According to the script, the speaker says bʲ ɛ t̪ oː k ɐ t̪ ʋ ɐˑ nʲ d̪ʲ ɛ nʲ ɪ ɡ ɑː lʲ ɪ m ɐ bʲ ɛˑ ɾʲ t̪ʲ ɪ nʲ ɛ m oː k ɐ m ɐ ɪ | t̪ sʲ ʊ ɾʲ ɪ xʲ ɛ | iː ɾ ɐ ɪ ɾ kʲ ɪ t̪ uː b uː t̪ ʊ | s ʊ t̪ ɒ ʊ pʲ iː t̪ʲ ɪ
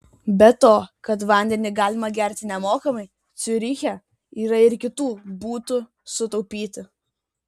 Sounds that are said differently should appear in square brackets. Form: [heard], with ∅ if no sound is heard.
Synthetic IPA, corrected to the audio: bʲ ɛ t̪ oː k ɐ t̪ ʋ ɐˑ nʲ d̪ʲ ɛ nʲ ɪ ɡ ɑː lʲ ɪ m ɐ [ɡʲ] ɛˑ ɾʲ t̪ʲ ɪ nʲ ɛ m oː k ɐ m ɐ ɪ | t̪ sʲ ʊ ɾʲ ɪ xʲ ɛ | iː ɾ ɐ ɪ ɾ kʲ ɪ t̪ uː b uː t̪ ʊ | s ʊ t̪ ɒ ʊ pʲ iː t̪ʲ ɪ